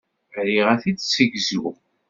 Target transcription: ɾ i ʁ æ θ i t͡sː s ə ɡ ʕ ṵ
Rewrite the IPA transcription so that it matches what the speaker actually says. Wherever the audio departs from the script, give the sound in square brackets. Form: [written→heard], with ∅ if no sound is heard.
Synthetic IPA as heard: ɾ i ʁ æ θ i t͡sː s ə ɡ [ʕ→z] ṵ